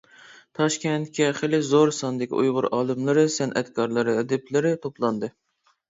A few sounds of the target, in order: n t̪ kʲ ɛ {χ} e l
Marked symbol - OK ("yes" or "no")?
yes